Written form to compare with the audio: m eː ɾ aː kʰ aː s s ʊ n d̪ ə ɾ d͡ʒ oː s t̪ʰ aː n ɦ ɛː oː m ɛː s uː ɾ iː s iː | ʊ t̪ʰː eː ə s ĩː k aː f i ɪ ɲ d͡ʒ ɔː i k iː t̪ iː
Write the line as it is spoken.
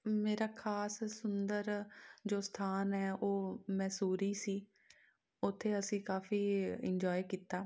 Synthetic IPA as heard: m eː ɾ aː kʰ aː s s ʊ n d̪ ə ɾ d͡ʒ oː s t̪ʰ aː n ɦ ɛː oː m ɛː s uː ɾ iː s iː | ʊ t̪ʰː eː ə s ĩː k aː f iː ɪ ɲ d͡ʒ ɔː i k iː t̪ aː

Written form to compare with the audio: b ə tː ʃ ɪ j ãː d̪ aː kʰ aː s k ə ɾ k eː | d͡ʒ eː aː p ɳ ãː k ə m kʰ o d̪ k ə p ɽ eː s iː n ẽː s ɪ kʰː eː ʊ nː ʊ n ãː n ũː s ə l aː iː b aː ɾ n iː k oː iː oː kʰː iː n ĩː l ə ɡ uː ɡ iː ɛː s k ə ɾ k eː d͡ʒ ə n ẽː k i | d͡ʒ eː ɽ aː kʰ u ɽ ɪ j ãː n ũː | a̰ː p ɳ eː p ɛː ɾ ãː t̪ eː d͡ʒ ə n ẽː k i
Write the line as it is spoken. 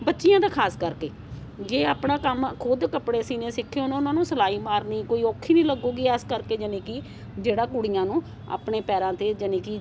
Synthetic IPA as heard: b ə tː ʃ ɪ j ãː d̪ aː kʰ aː s k ə ɾ k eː | d͡ʒ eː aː p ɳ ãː k ə m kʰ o d̪ k ə p ɽ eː s iː n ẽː s ɪ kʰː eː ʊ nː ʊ n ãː n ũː s ə l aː iː m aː ɾ n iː k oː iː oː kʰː iː n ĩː l ə ɡ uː ɡ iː ɛː s k ə ɾ k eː d͡ʒ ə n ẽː k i | d͡ʒ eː ɽ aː k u ɽ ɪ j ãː n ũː | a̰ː p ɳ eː p ɛː ɾ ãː t̪ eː d͡ʒ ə n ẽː k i

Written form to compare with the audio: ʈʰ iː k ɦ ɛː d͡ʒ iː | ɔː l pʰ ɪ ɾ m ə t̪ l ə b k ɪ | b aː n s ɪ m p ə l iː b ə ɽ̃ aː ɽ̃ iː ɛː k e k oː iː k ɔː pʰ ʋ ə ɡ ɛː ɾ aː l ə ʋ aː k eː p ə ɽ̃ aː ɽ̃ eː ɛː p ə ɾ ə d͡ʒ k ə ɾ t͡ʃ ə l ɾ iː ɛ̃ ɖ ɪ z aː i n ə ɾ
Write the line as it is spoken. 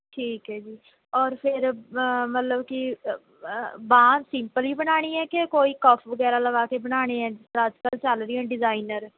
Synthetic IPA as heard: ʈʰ iː k ɦ ɛː d͡ʒ iː | ɔː ɾ pʰ ɪ ɾ m ə t̪ l ə b k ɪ | b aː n s ɪ m p ə l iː b ə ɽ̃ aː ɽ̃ iː ɛː k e k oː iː k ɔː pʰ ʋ ə ɡ ɛː ɾ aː l ə ʋ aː k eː b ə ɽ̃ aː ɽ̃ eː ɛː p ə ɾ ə d͡ʒ k ə l t͡ʃ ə l ɾ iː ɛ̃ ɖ ɪ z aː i n ə ɾ

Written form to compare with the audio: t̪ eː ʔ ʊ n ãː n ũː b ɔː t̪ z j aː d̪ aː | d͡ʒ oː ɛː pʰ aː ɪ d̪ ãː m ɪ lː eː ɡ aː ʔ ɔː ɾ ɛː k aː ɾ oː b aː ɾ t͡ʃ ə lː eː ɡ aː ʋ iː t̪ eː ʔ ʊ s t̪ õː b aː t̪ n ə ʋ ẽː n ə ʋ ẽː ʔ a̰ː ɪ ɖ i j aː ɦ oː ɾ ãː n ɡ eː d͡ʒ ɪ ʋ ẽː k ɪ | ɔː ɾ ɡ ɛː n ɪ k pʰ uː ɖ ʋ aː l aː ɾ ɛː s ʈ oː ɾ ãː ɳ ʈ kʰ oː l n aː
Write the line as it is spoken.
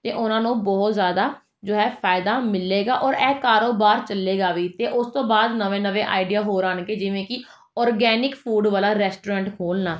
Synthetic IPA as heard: t̪ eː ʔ ʊ n ãː n ũː b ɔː t̪ z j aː d̪ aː | d͡ʒ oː ɛː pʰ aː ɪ d̪ aː m ɪ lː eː ɡ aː ʔ ɔː ɾ ɛː k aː ɾ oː b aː ɾ t͡ʃ ə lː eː ɡ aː ʋ iː t̪ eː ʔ ʊ s t̪ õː b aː d̪ n ə ʋ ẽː n ə ʋ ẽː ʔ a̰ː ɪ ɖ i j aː ɦ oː ɾ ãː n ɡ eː d͡ʒ ɪ ʋ ẽː k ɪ | ɔː ɾ ɡ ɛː n ɪ k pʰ uː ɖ ʋ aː l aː ɾ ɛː s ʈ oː ɾ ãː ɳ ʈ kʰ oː l n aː

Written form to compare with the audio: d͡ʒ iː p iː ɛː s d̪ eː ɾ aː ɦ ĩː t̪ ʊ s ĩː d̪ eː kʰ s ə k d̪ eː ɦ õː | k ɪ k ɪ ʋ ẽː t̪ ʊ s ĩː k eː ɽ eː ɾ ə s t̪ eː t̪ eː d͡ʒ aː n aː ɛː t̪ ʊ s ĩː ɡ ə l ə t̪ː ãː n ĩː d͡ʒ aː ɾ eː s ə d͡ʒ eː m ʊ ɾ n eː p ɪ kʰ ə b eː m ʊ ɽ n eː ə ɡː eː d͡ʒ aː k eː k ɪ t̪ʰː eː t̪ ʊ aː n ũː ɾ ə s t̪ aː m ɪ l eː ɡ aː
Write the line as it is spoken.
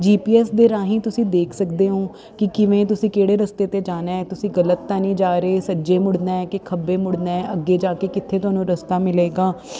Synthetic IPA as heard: d͡ʒ iː p iː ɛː s d̪ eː ɾ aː ɦ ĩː t̪ ʊ s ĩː d̪ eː kʰ s ə k d̪ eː ɦ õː | k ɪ k ɪ ʋ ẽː t̪ ʊ s ĩː k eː ɽ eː ɾ ə s t̪ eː t̪ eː d͡ʒ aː n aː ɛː t̪ ʊ s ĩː ɡ ə l ə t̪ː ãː n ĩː d͡ʒ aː ɾ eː s ə d͡ʒ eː m ʊ ɽ n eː k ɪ kʰ ə b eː m ʊ ɽ n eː ə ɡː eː d͡ʒ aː k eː k ɪ t̪ʰː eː t̪ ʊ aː n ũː ɾ ə s t̪ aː m ɪ l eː ɡ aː

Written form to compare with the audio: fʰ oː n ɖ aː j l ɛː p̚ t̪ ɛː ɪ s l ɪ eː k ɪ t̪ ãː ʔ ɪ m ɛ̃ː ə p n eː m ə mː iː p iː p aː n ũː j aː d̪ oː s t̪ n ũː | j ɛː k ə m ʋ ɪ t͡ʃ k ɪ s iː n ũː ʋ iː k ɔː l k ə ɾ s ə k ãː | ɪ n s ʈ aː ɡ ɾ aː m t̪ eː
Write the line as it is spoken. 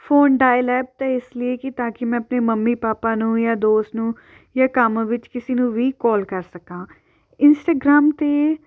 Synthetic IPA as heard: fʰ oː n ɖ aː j l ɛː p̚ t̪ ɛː ɪ s l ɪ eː k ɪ t̪ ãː k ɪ m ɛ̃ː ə p n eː m ə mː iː p aː p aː n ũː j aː d̪ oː s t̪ n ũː | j aː k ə m ʋ ɪ t͡ʃ k ɪ s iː n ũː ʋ iː k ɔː l k ə ɾ s ə k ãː | ɪ n s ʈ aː ɡ ɾ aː m t̪ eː

